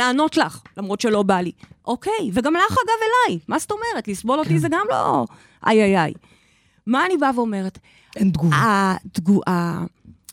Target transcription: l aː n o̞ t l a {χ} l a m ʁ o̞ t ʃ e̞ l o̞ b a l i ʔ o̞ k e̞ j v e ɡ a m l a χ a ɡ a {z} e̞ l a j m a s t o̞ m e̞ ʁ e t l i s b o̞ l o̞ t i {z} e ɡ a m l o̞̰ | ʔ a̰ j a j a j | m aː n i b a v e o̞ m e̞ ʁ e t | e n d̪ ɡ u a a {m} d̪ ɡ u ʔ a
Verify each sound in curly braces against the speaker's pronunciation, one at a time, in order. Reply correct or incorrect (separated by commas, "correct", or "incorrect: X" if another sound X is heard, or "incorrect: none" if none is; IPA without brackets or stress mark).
correct, incorrect: v, correct, incorrect: none